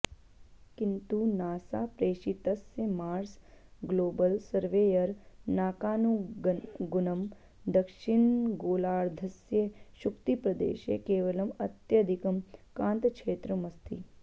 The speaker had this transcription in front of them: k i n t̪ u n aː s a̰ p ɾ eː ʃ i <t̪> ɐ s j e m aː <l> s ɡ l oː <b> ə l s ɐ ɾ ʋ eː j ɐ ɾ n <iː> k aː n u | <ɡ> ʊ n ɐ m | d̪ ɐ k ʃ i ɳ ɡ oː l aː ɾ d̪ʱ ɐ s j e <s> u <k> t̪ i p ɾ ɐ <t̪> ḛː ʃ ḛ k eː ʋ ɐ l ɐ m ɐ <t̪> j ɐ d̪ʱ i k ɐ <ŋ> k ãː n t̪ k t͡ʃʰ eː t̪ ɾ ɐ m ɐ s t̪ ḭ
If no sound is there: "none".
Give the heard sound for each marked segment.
t̪, ɾ, b, aː, ɡ, ʃ, k, d̪, t̪, m

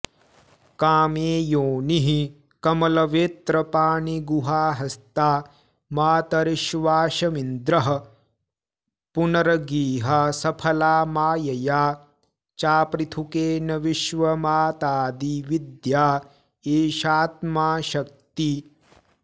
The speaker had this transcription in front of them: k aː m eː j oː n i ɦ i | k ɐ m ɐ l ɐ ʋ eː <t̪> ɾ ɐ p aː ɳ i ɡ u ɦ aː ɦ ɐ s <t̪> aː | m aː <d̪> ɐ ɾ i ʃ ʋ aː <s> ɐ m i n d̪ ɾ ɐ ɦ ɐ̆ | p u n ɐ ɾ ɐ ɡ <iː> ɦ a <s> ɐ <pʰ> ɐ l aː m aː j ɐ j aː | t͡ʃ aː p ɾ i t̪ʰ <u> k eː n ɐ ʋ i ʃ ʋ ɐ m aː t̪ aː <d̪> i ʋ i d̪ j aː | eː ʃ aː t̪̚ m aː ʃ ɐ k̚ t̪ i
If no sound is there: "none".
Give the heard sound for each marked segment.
t̪, t̪, t̪, ʃ, iː, s, pʰ, u, d̪

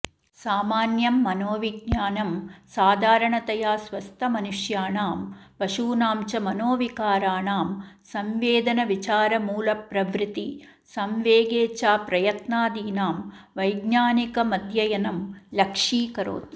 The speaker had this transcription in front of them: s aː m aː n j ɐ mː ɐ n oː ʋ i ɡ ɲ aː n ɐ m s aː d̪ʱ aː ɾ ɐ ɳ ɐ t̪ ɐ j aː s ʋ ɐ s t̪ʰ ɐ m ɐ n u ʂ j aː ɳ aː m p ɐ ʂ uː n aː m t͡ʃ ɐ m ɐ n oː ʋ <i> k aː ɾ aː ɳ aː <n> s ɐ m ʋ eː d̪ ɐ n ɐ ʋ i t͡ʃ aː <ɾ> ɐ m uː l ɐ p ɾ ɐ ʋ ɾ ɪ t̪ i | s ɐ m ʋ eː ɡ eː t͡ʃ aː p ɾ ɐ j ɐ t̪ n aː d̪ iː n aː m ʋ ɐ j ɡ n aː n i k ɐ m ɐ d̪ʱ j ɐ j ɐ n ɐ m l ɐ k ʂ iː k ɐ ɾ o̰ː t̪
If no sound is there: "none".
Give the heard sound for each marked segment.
i, m, ɾ

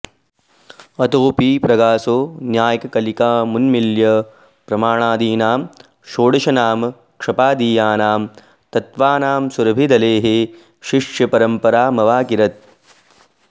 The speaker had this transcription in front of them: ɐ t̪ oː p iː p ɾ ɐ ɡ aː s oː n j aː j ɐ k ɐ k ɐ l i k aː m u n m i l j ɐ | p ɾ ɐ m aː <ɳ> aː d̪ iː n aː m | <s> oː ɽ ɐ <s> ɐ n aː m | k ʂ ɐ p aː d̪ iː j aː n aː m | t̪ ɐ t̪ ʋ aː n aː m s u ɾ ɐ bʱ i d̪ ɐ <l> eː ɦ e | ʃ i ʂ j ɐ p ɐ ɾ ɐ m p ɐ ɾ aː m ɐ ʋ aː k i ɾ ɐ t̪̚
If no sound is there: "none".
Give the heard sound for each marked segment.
ɳ, ʃ, ʃ, l

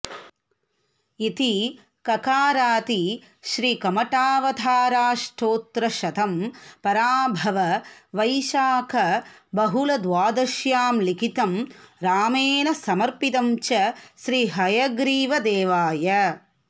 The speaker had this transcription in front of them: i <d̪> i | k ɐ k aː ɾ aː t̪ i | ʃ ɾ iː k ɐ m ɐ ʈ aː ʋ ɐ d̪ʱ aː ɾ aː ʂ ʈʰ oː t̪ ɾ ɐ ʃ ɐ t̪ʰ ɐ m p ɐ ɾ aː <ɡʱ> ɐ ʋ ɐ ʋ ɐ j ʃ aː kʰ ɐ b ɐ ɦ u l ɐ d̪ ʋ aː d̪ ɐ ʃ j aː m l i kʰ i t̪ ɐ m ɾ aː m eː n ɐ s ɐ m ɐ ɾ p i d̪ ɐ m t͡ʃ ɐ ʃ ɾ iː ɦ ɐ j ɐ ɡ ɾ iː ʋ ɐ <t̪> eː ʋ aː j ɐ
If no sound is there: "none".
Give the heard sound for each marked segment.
t̪, bʱ, d̪

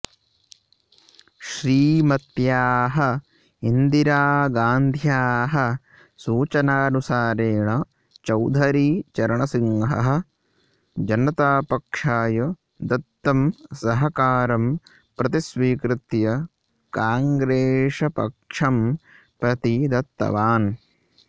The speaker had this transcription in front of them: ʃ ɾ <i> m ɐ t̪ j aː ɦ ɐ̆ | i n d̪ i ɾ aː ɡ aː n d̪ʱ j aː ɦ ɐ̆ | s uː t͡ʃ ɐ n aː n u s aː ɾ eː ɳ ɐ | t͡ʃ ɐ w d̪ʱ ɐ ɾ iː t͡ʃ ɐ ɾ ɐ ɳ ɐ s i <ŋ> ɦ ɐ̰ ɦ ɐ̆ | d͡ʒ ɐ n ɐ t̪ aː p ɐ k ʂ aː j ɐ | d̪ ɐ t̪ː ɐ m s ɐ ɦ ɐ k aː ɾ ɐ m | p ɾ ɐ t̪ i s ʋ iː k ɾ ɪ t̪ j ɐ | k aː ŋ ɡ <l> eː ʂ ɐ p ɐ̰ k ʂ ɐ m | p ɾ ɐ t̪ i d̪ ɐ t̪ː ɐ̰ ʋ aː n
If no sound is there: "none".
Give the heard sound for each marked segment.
iː, ŋ, ɾ

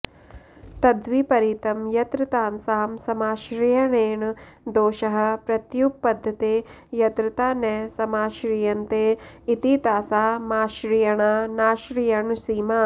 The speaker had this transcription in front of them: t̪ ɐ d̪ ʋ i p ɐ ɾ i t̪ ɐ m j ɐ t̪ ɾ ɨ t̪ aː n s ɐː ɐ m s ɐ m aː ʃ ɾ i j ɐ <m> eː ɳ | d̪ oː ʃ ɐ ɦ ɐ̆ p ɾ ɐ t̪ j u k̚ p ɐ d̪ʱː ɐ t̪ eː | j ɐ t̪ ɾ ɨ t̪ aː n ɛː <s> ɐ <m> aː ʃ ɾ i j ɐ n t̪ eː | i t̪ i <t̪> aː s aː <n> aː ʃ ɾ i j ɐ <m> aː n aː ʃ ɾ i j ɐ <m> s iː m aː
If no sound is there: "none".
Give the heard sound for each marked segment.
ɳ, s, m, t̪, m, ɳ, ɳ

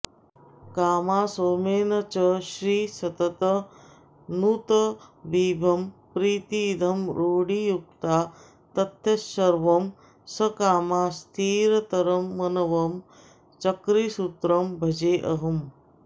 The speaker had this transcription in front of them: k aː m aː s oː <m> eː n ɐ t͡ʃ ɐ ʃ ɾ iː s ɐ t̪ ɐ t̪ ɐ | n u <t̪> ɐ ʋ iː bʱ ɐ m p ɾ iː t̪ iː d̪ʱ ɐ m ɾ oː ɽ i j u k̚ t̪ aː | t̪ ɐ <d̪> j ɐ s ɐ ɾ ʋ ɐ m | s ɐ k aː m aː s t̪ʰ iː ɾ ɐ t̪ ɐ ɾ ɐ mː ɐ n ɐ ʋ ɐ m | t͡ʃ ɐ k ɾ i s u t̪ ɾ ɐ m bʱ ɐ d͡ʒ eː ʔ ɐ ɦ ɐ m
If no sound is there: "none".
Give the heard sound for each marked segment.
m, t̪, t̪

